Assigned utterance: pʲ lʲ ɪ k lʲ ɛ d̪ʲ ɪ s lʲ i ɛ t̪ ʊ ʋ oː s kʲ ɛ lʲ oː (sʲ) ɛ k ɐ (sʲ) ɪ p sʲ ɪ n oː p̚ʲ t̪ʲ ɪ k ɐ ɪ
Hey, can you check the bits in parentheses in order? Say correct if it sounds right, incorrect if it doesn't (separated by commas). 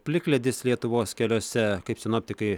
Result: correct, incorrect